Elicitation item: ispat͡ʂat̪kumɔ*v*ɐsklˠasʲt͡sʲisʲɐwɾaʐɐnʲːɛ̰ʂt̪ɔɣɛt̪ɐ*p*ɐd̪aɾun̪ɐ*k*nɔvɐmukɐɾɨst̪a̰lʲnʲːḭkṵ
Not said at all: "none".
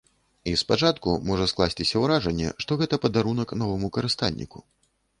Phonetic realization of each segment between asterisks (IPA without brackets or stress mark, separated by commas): ʐ, p, k